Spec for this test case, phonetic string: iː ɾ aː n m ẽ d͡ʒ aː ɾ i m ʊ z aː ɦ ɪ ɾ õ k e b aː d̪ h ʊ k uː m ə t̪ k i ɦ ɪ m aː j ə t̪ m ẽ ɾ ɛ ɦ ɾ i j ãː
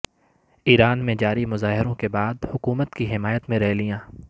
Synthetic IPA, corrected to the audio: iː ɾ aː n m ẽ d͡ʒ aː ɾ i m ʊ z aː ɦ ɪ ɾ õ k e b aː d̪ h ʊ k uː m ə t̪ k i ɦ ɪ m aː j ə t̪ m ẽ ɾ ɛ ɦ l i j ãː